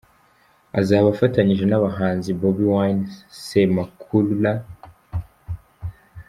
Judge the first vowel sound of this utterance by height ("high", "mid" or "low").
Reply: low